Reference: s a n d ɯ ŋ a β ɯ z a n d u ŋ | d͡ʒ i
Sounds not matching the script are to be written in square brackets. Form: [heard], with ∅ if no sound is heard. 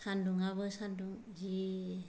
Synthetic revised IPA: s a n d [u] ŋ a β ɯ [s] a n d u ŋ | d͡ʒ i